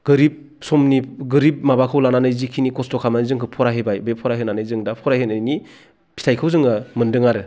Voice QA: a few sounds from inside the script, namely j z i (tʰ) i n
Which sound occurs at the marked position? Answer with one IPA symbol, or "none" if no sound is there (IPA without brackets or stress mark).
kʰ